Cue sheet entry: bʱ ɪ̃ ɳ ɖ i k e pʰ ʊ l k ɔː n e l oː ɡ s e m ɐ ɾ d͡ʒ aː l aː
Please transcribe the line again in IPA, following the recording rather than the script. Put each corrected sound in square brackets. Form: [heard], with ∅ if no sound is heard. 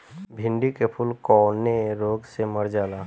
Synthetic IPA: bʱ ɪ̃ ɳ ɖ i k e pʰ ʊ l k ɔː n e [ɾ] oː ɡ s e m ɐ ɾ d͡ʒ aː l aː